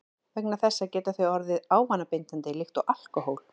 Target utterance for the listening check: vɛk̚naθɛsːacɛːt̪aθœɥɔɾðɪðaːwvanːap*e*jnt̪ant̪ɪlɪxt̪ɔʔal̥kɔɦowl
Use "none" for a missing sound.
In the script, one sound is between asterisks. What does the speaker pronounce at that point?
e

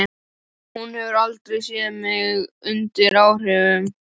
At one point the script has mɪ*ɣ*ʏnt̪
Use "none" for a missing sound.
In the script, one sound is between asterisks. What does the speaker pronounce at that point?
ɣ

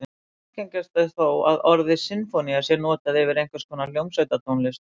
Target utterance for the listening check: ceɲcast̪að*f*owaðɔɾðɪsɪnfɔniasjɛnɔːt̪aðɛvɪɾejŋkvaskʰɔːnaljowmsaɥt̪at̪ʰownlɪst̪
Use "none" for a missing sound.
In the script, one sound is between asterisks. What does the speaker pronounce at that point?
θ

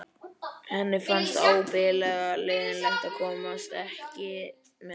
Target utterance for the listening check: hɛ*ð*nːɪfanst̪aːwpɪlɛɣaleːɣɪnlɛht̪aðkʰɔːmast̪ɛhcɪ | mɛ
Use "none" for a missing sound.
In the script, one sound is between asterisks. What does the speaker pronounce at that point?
none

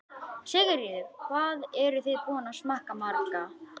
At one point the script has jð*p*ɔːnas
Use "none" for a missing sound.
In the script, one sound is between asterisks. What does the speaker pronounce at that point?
p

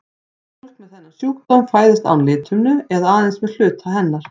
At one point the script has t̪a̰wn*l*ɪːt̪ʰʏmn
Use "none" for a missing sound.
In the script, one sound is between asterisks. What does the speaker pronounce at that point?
l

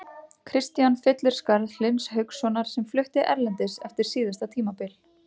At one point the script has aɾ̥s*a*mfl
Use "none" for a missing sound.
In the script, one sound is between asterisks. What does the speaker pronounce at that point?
ɛ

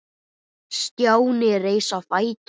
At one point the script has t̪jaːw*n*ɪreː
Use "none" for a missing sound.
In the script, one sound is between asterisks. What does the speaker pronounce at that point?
n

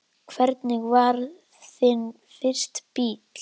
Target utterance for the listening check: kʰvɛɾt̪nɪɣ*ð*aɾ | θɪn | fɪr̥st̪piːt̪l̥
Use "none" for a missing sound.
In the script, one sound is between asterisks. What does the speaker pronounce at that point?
v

